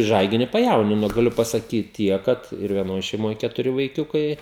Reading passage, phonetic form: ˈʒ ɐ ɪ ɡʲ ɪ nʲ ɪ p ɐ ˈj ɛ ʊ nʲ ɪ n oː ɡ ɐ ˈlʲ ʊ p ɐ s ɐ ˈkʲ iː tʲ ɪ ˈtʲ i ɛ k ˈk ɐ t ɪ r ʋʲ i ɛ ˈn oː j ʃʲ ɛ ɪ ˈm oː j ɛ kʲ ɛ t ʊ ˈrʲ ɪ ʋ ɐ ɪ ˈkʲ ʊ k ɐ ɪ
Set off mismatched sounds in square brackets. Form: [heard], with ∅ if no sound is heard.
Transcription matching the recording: ˈʒ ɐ ɪ ɡʲ ɪ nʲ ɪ p ɐ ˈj ɛ ʊ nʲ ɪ n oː ɡ ɐ ˈlʲ ʊ p ɐ s ɐ ˈkʲ iː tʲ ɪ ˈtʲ i ɛ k ˈk ɐ t ɪ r ʋʲ i ɛ ˈn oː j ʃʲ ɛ ɪ ˈm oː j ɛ kʲ ɛ t ʊ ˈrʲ ɪ ʋ ɐ ɪ ˈkʲ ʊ k ɐ ɪ